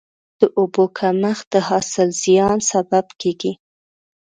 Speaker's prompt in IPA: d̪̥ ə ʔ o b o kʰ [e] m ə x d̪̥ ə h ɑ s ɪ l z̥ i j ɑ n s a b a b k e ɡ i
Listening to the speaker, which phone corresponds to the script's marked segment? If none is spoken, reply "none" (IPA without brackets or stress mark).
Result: a